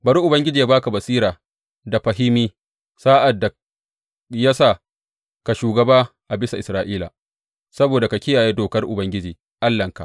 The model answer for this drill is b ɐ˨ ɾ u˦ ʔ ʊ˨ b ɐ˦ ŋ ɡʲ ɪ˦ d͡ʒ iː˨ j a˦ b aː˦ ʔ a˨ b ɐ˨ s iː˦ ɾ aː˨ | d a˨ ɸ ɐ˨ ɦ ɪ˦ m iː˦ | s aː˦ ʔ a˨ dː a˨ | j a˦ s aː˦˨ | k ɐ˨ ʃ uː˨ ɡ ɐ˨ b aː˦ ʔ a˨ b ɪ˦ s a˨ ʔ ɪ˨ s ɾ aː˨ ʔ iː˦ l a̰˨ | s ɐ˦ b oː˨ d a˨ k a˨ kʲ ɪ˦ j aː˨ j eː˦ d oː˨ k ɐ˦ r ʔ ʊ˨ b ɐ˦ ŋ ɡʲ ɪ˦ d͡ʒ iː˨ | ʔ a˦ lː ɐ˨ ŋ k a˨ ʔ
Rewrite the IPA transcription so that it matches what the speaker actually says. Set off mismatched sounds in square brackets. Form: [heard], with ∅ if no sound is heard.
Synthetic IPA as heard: b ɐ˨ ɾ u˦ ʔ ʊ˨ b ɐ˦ ŋ ɡʲ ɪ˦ d͡ʒ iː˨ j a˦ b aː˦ [k] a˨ b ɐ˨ s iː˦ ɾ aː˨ | d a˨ ɸ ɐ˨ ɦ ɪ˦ m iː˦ | s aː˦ ʔ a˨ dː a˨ | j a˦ s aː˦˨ | k [a˨] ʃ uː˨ ɡ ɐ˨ b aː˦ ʔ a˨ b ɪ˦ s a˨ ʔ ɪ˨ s ɾ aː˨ ʔ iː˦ l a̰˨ | s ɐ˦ b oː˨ d a˨ k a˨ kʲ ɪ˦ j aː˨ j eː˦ d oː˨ k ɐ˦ r ʔ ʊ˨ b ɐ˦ ŋ ɡʲ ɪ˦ d͡ʒ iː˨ | ʔ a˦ lː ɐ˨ ŋ k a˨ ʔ

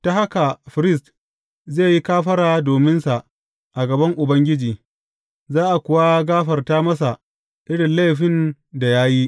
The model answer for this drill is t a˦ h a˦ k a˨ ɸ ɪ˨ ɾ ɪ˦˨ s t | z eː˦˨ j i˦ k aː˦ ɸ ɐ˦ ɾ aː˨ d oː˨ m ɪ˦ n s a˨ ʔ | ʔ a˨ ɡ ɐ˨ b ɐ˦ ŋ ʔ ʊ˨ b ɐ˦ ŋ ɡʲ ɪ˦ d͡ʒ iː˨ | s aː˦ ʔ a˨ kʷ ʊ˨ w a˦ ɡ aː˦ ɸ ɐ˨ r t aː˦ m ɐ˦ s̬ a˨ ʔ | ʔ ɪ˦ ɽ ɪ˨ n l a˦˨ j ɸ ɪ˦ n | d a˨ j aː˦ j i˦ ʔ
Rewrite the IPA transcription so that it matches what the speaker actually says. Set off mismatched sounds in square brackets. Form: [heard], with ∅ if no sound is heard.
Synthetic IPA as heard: t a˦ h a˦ k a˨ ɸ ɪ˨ ɾ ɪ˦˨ s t | z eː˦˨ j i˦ k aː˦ ɸ ɐ˦ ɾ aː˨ d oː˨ m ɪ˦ n s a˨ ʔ | ʔ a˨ ɡ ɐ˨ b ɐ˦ ŋ ʔ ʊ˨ b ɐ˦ ŋ ɡʲ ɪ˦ d͡ʒ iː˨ | [z] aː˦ ʔ a˨ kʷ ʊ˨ w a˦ ɡ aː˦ ɸ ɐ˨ r t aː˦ m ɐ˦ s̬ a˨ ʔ | ʔ ɪ˦ ɽ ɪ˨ n l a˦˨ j ɸ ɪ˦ n | d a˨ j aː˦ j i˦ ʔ

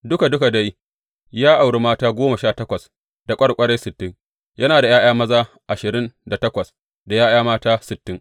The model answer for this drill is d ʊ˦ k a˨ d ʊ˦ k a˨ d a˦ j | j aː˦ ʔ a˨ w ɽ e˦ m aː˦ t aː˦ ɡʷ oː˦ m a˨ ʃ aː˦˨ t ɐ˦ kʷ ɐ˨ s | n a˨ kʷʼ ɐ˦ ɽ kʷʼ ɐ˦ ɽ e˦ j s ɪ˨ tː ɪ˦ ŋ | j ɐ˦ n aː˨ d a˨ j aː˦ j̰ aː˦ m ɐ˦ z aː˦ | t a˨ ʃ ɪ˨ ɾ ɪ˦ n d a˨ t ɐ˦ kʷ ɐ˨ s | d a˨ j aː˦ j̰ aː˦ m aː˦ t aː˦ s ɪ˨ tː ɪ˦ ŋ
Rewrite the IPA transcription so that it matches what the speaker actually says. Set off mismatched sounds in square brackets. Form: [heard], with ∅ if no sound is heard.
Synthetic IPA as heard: d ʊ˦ k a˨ d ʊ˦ k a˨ d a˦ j | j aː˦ ʔ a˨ w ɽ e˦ m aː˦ t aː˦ ɡʷ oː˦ m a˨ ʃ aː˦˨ t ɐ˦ kʷ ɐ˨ s | [d] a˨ kʷʼ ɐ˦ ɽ kʷʼ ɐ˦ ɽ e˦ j s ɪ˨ tː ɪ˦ ŋ | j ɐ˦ n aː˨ d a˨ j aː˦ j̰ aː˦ m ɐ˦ z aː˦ | [ʔ] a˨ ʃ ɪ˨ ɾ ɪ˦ n d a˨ t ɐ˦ kʷ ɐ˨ s | d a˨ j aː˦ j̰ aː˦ m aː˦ t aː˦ s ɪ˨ tː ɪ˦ ŋ

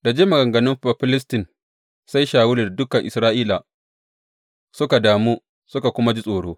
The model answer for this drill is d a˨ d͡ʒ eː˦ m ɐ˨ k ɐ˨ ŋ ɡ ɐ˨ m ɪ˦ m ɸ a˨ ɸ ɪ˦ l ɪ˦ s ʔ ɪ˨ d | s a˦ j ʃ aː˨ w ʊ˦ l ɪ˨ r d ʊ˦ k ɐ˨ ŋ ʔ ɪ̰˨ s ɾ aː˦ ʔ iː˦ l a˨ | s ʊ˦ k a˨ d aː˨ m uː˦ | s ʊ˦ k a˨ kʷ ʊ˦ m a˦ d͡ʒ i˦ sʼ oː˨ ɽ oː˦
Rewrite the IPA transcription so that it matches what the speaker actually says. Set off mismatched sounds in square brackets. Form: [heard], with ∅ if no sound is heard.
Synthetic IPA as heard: d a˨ d͡ʒ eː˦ m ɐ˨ [ɡ] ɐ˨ ŋ ɡ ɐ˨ [n] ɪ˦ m ɸ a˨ ɸ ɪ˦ l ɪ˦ s [t] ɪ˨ [n] | s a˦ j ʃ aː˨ w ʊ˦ l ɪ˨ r d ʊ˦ k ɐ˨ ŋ ʔ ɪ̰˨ s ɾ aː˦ ʔ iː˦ l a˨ | s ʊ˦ k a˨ d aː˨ m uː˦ | s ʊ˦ k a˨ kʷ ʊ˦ m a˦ d͡ʒ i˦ sʼ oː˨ ɽ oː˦

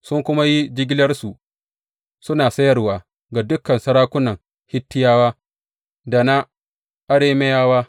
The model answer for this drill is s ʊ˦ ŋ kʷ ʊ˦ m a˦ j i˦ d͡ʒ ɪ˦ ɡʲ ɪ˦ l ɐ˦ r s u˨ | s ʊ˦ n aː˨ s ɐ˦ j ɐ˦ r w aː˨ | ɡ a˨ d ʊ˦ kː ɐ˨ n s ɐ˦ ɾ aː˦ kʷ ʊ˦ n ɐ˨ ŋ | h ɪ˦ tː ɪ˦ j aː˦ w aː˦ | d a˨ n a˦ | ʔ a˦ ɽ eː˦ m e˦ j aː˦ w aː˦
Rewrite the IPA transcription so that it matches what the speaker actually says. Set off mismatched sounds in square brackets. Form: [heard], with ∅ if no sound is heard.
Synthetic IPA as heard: s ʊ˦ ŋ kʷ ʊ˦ m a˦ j i˦ d͡ʒ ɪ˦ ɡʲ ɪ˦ l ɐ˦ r s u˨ | s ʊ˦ n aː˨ s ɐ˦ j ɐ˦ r w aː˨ | ɡ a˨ d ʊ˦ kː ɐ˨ n s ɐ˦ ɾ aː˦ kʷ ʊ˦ n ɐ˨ ŋ | h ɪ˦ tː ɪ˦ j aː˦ w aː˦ | d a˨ n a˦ | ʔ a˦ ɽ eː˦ m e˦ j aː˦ w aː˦

